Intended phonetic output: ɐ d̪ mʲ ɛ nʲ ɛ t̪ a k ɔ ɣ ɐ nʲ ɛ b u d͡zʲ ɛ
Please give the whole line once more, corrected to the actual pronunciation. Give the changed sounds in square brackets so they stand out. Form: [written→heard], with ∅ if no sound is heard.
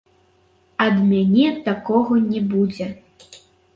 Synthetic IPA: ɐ d̪ mʲ [ɛ→a] nʲ ɛ t̪ a k ɔ ɣ ɐ nʲ ɛ b u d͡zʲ ɛ